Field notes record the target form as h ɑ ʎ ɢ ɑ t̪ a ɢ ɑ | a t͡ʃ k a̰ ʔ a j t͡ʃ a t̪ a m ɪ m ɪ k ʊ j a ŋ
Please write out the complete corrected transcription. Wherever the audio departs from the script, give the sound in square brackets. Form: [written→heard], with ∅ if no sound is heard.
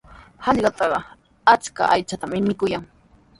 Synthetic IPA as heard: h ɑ ʎ ɢ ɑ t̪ [a→ɑ] ɢ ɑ | a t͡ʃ k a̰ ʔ a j t͡ʃ a t̪ a m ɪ m ɪ k ʊ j a ŋ

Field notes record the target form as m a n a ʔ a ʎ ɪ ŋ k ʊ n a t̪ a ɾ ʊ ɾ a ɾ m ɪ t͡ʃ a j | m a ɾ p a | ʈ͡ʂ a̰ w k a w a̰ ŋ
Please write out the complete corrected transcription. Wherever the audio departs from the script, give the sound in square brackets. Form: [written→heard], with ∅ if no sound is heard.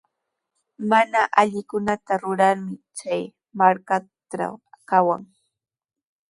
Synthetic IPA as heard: m a n a ʔ a ʎ ɪ [ŋ→∅] k ʊ n a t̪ a ɾ ʊ ɾ a ɾ m ɪ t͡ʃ a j | m a ɾ [p→k] a | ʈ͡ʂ a̰ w k a w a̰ ŋ

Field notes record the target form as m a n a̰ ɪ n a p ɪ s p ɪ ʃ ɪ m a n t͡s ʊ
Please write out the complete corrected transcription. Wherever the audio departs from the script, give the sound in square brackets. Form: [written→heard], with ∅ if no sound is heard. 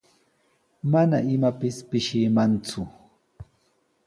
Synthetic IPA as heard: m a n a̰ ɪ [n→m] a p ɪ s p ɪ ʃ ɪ m a n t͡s ʊ

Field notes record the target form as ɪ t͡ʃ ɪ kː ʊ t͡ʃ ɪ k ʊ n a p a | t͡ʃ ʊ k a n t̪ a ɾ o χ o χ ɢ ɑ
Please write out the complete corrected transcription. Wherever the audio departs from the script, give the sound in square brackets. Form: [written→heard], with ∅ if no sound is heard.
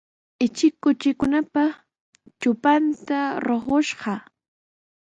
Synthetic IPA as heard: ɪ t͡ʃ ɪ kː ʊ t͡ʃ ɪ k ʊ n a p a | t͡ʃ ʊ [k→p] a n t̪ a ɾ o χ o [χ→ʃ] ɢ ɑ

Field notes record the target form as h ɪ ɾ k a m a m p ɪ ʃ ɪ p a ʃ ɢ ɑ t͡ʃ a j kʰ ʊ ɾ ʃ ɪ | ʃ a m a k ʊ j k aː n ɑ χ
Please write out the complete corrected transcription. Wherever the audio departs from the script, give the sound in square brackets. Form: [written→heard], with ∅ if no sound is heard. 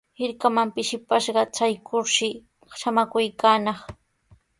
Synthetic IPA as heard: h ɪ ɾ k a m a m p ɪ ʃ ɪ p a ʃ ɢ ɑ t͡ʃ a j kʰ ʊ ɾ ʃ ɪ | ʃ a m a k ʊ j k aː n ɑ χ

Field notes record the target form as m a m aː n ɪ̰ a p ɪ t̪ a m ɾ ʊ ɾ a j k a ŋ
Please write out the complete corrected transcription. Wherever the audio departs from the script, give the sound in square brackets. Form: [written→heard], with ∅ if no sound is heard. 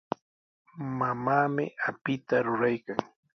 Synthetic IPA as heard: m a m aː [n→m] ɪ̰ a p ɪ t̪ a [m→∅] ɾ ʊ ɾ a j k a ŋ

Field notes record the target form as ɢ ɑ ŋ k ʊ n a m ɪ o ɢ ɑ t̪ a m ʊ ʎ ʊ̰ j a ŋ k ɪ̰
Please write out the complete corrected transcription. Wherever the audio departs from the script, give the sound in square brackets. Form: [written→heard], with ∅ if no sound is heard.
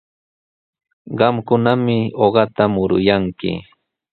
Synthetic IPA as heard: ɢ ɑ [ŋ→m] k ʊ n a m ɪ o ɢ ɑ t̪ a m ʊ [ʎ→ɾ] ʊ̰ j a ŋ k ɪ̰

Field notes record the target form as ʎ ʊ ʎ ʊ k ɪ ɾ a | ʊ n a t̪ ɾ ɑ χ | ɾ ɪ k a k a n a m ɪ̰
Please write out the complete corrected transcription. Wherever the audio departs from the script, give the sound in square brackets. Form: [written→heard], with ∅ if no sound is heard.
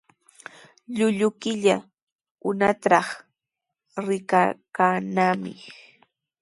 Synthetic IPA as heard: ʎ ʊ ʎ ʊ k ɪ [ɾ→ʎ] a | ʊ n a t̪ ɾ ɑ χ | ɾ ɪ k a k a n a m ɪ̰

